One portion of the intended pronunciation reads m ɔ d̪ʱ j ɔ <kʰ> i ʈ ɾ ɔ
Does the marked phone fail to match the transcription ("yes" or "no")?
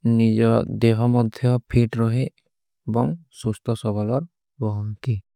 yes